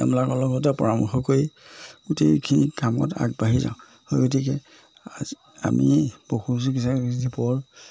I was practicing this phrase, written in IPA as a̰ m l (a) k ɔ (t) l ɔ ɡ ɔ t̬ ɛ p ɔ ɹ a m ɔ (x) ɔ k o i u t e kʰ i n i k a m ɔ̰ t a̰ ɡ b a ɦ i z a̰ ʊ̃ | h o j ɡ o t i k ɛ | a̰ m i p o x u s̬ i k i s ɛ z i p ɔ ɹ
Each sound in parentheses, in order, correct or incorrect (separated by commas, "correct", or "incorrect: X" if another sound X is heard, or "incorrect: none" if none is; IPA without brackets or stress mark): correct, incorrect: none, correct